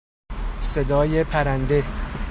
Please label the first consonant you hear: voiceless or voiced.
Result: voiceless